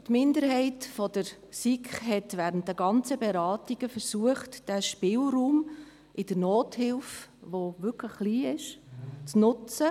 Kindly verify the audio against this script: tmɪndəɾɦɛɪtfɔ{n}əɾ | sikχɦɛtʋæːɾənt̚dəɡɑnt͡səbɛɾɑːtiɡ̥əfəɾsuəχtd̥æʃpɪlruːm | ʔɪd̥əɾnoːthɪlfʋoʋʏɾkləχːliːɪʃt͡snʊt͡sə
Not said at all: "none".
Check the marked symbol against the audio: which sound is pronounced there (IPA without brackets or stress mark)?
d